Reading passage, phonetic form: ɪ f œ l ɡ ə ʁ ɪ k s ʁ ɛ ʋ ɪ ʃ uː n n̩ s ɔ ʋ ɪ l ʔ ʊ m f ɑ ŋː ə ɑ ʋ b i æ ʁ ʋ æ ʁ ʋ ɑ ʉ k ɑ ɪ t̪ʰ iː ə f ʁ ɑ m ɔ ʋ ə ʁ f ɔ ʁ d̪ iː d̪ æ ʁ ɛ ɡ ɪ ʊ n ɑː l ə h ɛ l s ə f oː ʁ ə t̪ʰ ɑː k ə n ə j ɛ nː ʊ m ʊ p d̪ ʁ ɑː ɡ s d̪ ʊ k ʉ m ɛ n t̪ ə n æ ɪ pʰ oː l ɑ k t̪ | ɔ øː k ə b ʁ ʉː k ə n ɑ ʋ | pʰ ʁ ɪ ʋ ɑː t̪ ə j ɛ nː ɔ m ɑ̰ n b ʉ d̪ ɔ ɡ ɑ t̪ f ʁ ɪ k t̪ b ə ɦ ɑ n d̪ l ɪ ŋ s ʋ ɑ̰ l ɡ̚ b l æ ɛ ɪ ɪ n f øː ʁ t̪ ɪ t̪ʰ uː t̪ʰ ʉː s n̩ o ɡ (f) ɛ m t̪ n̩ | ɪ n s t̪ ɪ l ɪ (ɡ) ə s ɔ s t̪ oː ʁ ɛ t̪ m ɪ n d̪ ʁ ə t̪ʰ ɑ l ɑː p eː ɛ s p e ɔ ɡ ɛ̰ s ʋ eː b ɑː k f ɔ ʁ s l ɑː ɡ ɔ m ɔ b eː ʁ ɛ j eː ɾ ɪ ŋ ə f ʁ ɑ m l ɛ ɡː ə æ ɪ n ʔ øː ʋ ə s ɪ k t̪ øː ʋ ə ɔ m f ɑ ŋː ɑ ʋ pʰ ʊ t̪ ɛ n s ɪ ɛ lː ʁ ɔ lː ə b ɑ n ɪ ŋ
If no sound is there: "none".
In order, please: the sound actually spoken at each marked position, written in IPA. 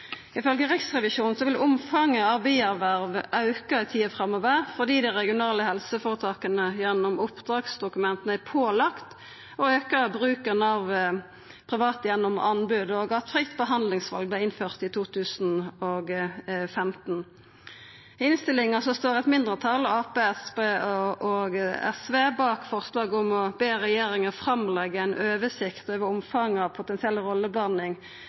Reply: f, ŋ

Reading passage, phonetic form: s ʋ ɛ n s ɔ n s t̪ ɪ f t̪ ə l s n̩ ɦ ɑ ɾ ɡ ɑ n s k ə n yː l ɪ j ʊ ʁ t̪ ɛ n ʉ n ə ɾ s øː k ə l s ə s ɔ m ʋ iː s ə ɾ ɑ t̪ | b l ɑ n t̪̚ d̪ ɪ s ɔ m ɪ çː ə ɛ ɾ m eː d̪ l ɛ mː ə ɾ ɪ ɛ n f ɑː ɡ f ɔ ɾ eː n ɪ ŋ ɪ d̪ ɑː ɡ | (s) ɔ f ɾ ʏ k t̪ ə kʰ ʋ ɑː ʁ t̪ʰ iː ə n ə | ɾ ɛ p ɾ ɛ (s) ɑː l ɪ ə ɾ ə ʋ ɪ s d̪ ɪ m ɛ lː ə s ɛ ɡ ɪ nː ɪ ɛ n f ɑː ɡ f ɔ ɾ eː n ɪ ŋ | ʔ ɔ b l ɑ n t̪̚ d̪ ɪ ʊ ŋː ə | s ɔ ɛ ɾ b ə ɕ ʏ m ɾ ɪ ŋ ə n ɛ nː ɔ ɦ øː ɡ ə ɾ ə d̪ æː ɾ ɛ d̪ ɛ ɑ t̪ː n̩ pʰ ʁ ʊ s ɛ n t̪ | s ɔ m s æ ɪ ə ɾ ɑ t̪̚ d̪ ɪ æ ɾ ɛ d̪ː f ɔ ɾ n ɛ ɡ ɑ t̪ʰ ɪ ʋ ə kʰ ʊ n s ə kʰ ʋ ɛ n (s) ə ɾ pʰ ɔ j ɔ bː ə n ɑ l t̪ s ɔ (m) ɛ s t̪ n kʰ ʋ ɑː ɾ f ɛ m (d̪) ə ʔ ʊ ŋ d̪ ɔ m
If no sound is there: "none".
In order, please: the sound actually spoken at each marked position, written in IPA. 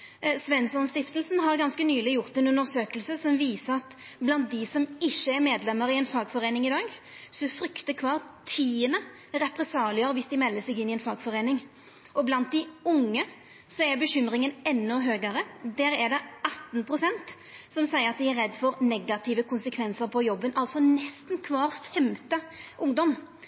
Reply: s, s, s, n, t̪

